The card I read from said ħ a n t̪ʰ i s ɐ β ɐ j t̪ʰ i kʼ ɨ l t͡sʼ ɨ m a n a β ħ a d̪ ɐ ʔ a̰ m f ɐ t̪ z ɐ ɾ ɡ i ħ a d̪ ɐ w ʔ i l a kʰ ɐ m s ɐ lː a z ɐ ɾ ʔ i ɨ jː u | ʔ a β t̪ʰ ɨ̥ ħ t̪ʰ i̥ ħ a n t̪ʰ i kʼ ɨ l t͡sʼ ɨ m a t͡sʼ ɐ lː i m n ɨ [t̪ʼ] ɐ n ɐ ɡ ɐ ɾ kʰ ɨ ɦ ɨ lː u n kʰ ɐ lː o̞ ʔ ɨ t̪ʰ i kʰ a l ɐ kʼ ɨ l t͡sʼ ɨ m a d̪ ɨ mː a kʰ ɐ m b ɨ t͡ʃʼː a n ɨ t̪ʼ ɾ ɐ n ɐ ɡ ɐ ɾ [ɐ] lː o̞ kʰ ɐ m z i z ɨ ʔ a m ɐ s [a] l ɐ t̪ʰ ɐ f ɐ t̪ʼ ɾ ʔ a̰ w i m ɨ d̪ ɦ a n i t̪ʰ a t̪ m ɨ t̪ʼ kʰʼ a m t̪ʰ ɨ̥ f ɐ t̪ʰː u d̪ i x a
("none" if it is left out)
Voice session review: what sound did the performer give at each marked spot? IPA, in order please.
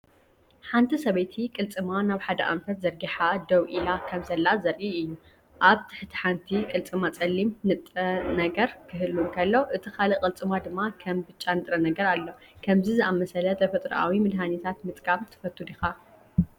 t̪ʼ, a, ɐ

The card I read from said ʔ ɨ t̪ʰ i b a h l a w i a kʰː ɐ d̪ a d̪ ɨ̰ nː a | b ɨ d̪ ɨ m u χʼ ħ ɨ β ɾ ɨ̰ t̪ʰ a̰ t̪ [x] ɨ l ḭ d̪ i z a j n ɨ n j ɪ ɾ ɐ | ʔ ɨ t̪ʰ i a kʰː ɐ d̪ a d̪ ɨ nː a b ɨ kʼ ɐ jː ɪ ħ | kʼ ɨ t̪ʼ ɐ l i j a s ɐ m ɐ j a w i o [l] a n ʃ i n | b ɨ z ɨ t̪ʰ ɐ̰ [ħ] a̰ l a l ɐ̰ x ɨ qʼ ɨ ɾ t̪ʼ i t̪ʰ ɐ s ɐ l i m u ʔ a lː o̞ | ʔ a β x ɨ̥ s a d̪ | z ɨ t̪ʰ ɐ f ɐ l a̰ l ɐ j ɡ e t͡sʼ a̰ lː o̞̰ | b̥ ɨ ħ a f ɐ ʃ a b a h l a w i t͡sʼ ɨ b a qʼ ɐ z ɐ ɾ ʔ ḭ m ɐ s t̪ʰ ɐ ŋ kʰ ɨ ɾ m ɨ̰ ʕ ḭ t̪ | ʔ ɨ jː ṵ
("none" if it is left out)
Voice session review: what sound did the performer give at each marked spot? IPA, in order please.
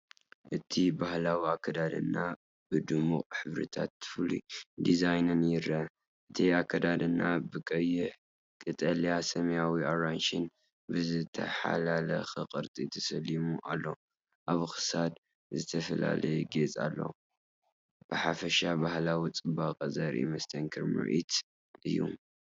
f, ɾ, ħ

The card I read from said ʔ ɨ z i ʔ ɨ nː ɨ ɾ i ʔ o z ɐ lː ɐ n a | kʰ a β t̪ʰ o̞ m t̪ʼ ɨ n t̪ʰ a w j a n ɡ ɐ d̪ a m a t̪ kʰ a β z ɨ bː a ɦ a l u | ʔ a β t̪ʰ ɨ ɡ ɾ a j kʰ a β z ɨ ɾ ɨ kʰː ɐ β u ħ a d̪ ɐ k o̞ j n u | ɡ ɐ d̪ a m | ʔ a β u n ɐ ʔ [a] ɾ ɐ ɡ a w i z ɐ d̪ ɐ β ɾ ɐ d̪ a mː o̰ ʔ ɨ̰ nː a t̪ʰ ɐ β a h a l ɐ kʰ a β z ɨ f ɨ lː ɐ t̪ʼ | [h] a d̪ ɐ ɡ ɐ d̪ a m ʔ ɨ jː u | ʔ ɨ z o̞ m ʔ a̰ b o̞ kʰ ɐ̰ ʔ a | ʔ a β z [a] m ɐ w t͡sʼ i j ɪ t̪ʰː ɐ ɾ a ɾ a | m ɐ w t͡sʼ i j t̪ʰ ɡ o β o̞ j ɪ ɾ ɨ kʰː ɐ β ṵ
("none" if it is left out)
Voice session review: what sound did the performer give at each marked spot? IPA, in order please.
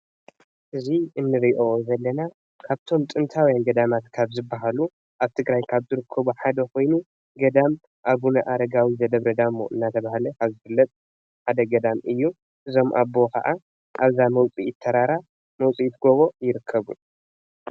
a, ħ, a

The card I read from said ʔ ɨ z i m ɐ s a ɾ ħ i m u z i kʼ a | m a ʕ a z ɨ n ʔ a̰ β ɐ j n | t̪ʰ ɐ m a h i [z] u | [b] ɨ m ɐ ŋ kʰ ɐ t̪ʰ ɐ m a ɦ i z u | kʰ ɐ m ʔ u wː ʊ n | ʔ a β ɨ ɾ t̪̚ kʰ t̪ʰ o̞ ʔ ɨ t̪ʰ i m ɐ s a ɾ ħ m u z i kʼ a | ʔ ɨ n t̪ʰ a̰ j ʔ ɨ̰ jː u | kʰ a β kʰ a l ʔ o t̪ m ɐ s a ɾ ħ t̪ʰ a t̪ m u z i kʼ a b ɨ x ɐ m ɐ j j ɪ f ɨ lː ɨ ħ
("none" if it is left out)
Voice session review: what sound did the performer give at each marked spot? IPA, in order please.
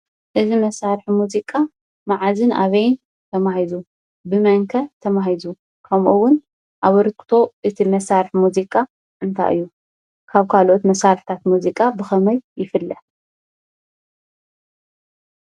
z, b

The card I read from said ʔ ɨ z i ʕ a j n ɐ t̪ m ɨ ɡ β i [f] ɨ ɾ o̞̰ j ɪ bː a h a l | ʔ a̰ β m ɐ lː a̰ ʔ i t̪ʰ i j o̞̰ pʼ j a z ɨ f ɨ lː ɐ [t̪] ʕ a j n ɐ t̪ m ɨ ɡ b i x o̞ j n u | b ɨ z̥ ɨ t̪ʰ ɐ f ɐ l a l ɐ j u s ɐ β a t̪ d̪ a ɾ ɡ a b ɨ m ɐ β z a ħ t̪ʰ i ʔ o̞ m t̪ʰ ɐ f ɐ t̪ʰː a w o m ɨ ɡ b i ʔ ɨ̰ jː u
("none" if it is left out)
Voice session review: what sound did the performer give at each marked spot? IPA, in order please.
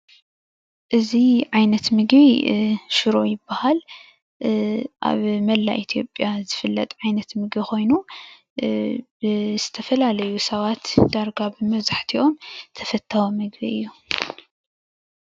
ʃ, t̪ʼ

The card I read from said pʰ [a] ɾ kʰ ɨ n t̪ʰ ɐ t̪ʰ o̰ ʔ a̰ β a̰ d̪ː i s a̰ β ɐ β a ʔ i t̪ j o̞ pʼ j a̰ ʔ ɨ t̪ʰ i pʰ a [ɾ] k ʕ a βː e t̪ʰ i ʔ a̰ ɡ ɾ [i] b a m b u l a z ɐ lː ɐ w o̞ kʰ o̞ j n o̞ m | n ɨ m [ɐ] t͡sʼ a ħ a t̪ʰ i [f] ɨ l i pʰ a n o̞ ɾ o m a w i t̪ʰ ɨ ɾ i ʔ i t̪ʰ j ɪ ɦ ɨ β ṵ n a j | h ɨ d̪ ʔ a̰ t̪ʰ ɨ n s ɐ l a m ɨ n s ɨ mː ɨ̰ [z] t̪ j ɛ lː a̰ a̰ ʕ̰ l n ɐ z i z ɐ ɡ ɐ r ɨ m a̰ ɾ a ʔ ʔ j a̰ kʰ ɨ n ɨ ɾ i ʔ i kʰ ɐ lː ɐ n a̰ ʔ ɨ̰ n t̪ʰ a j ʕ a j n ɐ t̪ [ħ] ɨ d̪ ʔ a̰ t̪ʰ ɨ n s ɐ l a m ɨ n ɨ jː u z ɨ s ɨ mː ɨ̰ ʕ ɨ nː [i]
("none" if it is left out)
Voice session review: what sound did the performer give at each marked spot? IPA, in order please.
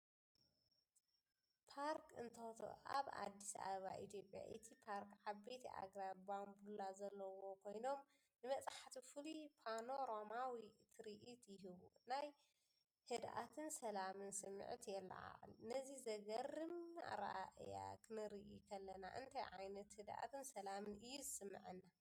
a, ɾ, a, ɐ, f, ʕ, h, a

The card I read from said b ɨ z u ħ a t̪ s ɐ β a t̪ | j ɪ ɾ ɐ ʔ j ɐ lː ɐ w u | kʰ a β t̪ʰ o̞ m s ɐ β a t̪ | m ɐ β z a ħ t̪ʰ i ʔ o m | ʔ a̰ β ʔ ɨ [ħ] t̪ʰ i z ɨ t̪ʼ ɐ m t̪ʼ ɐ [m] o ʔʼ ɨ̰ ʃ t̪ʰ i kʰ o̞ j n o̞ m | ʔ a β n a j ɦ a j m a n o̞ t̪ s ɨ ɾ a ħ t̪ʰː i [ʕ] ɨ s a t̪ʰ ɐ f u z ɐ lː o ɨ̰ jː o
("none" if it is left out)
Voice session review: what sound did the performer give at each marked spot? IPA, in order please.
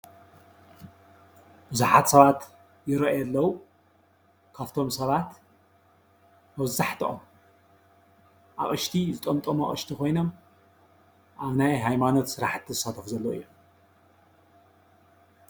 ʃ, m, z

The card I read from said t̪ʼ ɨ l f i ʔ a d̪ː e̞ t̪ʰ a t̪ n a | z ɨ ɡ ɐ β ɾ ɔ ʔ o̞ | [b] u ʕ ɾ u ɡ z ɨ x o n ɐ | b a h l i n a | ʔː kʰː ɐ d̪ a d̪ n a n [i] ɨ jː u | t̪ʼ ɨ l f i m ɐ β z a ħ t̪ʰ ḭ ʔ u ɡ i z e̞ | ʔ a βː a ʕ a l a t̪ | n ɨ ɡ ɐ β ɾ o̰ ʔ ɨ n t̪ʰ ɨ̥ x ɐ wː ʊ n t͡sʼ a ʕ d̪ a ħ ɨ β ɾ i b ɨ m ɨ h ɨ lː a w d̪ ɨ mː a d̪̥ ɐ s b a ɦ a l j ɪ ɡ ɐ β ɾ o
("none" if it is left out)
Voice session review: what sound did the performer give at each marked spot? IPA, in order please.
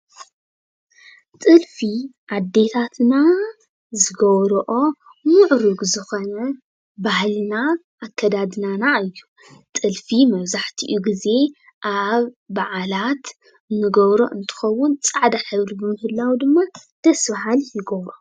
m, a

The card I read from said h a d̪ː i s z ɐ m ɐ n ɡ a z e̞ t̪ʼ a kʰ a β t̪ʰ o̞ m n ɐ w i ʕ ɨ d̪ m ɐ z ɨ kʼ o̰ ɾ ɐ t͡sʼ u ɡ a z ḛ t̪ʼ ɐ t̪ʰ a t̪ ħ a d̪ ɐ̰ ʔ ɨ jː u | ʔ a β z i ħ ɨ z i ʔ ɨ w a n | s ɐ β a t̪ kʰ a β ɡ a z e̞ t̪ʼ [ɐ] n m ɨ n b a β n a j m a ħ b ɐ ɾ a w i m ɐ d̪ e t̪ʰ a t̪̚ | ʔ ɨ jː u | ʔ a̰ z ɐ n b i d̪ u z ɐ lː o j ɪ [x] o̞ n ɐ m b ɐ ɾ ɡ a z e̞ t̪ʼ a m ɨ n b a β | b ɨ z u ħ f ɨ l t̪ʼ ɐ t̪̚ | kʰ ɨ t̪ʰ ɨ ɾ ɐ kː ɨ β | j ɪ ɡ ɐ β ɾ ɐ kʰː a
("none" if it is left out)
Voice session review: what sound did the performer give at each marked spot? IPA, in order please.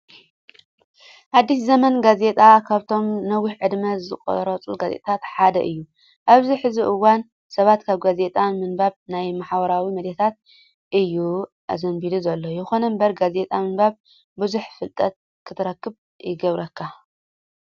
a, x

